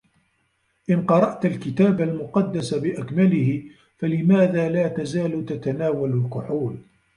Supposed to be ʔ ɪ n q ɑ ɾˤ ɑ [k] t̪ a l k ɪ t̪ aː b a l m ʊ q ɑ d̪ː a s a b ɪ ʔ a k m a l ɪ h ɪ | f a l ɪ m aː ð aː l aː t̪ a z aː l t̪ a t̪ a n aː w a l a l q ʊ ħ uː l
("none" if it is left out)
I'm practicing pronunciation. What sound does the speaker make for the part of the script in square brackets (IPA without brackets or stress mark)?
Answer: ʔ